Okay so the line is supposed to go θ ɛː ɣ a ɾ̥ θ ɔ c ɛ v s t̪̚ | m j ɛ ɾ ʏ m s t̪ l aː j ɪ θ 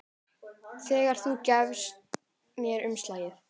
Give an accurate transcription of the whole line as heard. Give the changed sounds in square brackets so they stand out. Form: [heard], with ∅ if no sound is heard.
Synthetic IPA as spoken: θ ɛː ɣ a ɾ̥ θ [u] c ɛ v s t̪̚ | m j ɛ ɾ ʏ m s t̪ l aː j ɪ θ